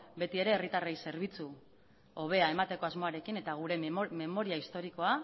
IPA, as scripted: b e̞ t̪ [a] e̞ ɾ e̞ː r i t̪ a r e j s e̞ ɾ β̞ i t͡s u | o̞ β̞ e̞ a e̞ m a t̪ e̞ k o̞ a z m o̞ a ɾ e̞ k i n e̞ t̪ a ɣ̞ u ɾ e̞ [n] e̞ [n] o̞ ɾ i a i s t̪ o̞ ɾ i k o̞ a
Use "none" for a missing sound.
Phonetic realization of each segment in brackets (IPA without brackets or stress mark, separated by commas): i, m, m